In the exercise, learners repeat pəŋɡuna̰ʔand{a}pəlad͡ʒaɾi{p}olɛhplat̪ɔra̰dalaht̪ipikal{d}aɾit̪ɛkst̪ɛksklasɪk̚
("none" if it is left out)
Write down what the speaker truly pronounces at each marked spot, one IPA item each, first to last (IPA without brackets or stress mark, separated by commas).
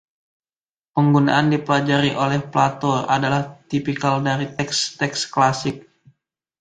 i, ʔ, d